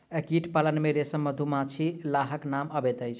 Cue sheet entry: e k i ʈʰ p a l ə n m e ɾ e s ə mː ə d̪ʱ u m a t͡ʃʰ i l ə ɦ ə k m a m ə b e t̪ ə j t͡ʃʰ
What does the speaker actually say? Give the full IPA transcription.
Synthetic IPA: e k i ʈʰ p a l ə n m e ɾ e s ə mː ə d̪ʱ u m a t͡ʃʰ i l a ɦ ə k n a m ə b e t̪ ə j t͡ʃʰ